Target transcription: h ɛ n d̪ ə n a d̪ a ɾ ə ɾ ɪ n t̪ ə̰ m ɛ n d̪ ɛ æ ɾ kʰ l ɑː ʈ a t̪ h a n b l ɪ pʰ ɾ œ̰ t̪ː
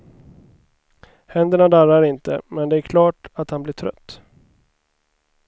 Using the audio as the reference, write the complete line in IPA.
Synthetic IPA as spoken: h ɛ n d̪ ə ɳ a d̪ a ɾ a ɾ ɪ n t̪ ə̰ m ɛ n d̪ ɛ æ ɾ kʰ l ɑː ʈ a t̪ h a n b l ɪ ʈʰ ɾ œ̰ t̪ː